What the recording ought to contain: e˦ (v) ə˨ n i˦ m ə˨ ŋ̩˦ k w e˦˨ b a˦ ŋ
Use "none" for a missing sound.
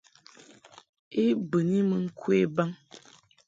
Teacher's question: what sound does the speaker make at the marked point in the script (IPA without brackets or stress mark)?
b